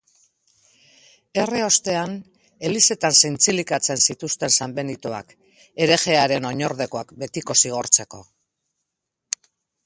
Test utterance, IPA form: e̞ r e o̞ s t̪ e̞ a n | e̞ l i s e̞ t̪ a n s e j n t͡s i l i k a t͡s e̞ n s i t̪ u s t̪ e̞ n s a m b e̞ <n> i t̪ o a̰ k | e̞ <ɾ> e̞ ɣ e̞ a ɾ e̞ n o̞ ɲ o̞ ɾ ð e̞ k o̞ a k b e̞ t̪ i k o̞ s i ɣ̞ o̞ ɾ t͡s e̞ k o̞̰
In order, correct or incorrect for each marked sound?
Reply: correct, correct

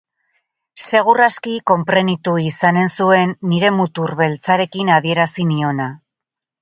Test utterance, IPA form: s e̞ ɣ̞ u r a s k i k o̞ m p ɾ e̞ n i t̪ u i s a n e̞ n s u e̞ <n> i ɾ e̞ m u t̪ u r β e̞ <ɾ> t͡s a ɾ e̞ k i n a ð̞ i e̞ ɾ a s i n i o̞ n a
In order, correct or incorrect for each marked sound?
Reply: incorrect, incorrect

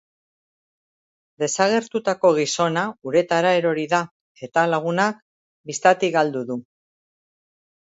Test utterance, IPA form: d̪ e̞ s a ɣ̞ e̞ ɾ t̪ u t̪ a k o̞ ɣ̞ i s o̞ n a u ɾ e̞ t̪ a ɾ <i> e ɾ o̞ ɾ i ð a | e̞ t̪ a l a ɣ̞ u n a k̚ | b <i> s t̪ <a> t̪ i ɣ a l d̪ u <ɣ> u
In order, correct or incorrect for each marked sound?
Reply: incorrect, correct, correct, incorrect

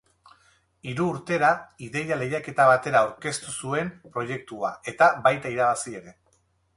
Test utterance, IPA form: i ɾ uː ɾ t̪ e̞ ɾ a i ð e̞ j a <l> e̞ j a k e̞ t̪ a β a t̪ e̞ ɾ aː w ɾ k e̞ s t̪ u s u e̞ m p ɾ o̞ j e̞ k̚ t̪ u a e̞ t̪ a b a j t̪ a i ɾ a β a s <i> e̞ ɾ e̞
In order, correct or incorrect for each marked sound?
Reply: correct, correct

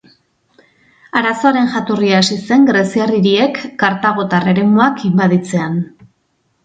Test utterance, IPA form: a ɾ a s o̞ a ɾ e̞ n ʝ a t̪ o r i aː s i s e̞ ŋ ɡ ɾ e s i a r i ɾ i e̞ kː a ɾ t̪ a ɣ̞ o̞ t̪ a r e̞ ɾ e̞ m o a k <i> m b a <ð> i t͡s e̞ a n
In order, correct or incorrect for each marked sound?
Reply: correct, correct

